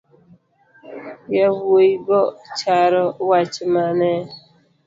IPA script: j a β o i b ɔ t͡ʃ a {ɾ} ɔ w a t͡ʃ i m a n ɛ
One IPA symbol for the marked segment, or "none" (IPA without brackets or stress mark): ɾ